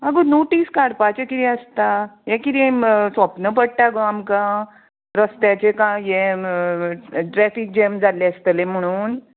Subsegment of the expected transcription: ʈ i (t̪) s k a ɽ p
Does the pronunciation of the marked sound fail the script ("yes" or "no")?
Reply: yes